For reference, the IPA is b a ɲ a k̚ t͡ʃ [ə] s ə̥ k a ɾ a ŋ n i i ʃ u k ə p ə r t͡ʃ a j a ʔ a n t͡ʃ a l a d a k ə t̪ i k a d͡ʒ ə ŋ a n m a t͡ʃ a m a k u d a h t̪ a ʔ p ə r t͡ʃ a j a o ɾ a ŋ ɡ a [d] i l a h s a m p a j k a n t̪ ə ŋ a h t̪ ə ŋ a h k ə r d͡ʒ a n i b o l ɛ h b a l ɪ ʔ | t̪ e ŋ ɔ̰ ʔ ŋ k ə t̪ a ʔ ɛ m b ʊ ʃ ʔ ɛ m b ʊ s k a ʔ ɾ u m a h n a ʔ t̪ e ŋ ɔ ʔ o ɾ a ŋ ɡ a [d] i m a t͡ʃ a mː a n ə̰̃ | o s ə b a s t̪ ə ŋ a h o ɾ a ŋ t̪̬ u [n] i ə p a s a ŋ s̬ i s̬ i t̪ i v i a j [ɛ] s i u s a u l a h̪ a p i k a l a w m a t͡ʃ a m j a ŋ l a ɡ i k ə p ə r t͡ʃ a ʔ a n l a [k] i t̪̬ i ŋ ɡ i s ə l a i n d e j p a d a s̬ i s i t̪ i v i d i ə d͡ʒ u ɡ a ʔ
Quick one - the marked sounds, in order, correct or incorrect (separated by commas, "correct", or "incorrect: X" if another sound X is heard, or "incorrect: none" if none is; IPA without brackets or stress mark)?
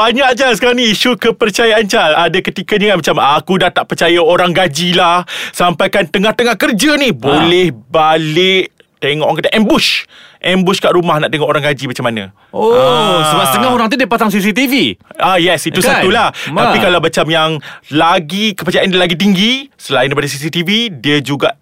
incorrect: a, incorrect: d͡ʒ, incorrect: d͡ʒ, incorrect: d, correct, incorrect: ɡ